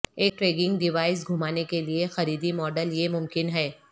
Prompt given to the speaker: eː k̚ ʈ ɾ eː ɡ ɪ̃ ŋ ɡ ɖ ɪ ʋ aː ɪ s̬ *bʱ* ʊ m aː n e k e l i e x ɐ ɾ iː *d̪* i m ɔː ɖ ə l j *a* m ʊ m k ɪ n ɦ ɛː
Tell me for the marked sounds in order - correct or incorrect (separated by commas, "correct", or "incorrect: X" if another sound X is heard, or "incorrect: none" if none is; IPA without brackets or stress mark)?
incorrect: ɡʱ, correct, incorrect: e